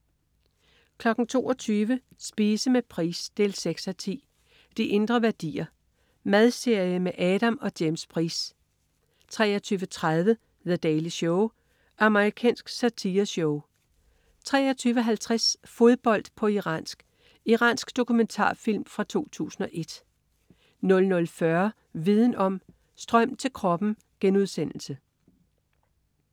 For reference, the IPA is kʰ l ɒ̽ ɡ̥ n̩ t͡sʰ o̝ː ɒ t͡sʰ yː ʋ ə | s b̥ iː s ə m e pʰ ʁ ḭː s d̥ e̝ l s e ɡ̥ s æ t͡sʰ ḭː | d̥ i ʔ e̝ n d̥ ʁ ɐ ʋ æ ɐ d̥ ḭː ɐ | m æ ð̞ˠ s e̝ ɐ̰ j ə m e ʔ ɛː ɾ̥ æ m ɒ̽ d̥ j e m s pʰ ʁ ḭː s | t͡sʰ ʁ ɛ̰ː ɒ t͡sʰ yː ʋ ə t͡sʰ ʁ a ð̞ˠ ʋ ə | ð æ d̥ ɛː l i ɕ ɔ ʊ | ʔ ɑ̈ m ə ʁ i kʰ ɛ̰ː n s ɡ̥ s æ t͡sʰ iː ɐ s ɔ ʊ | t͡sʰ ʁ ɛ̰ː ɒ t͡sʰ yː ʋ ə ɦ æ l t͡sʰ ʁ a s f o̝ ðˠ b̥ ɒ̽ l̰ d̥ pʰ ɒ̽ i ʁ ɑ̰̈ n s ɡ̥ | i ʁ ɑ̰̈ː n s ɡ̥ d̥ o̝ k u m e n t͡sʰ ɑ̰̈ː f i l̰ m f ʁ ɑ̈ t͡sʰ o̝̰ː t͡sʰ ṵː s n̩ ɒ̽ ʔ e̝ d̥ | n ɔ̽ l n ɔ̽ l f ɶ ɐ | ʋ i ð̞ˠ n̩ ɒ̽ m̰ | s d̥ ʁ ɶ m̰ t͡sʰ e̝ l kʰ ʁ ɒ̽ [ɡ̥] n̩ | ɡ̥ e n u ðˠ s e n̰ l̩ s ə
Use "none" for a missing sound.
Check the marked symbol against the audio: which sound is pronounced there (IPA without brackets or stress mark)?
b̥